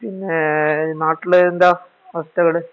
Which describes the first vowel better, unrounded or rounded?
unrounded